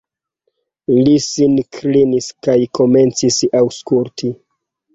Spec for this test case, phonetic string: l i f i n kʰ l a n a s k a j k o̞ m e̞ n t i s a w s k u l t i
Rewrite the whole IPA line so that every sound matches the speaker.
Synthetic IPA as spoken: l i s i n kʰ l i n i s k a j k o̞ m e̞ n t͡s i s a w s k u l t i